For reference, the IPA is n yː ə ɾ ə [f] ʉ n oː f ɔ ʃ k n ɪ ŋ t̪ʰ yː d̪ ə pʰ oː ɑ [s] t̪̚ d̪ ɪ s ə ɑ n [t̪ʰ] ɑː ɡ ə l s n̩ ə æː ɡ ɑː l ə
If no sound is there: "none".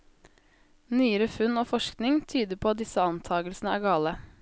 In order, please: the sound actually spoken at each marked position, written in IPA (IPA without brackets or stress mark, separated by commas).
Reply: f, none, t̪ʰ